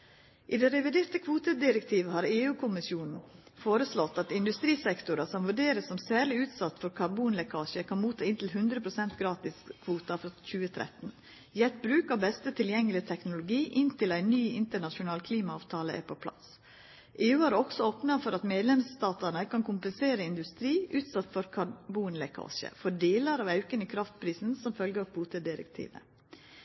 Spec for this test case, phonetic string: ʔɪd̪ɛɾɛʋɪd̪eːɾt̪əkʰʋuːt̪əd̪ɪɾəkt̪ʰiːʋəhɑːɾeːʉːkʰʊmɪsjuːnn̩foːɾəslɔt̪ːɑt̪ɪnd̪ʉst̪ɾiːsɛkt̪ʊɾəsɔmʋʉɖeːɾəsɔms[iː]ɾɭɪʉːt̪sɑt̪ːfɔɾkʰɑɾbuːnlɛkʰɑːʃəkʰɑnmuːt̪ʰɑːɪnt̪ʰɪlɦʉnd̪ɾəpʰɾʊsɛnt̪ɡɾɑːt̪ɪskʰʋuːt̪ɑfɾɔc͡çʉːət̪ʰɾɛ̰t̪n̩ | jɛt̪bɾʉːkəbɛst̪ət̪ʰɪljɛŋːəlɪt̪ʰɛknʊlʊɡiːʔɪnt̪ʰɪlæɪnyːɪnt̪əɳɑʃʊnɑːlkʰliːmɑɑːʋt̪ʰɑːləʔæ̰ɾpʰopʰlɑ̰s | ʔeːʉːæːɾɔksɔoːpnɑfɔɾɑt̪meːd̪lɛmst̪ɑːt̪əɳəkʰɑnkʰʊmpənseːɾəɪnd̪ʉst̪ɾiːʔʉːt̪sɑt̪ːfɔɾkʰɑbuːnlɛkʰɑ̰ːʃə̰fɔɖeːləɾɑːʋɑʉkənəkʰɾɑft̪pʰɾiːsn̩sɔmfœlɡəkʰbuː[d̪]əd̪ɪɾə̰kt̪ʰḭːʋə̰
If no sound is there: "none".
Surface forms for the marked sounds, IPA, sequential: æː, t̪

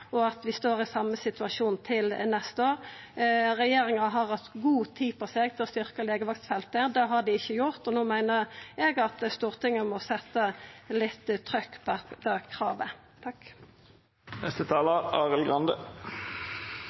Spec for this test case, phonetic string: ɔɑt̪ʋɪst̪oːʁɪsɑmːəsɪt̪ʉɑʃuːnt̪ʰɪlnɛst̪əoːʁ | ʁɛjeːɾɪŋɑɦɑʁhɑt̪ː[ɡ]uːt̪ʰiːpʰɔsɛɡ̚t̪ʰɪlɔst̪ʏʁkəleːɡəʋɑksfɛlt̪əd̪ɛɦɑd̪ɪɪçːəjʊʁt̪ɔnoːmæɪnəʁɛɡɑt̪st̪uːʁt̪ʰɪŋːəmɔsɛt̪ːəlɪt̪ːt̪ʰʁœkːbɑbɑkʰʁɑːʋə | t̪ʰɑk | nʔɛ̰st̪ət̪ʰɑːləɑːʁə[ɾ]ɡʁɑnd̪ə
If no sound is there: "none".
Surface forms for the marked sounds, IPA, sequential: ɡ, l

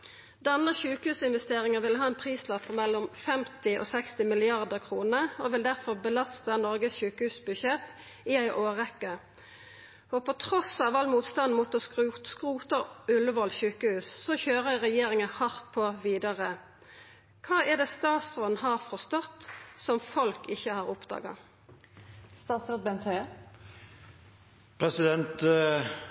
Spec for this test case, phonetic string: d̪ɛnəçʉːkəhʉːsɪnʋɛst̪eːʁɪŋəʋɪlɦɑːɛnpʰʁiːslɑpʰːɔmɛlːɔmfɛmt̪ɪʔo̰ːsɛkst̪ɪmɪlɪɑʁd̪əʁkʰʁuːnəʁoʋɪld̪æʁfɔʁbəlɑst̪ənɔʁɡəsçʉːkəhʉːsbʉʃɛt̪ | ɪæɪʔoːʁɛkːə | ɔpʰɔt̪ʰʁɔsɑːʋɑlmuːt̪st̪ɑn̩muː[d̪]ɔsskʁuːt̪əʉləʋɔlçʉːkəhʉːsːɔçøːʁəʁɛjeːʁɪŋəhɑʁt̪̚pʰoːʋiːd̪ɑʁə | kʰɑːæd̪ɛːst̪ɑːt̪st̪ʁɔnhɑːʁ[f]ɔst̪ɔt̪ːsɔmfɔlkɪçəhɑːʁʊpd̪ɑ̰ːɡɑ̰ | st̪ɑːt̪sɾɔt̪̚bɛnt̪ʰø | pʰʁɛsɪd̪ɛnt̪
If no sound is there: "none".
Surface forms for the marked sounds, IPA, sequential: t̪, f

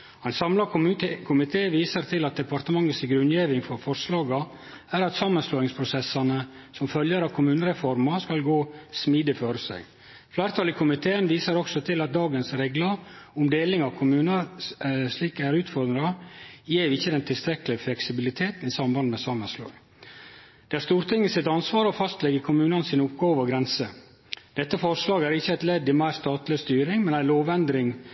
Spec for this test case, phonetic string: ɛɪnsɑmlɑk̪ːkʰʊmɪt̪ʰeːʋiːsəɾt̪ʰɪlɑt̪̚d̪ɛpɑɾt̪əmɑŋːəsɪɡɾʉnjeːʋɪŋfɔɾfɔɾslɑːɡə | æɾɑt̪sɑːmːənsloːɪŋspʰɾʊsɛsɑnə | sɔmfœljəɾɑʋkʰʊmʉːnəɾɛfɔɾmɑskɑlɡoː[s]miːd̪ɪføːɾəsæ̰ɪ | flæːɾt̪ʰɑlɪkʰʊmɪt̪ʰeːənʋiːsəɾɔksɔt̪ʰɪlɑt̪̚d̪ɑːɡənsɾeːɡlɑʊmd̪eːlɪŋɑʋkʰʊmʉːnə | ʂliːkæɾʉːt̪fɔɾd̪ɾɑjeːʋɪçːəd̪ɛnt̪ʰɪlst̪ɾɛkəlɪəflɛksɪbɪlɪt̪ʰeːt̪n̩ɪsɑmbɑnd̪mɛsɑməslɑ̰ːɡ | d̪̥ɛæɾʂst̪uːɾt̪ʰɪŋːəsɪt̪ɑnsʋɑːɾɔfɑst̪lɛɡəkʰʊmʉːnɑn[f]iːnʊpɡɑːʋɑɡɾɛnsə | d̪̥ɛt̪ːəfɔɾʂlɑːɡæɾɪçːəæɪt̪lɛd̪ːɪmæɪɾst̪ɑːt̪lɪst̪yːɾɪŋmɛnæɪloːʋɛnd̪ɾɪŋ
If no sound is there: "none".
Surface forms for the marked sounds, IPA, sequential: s, s

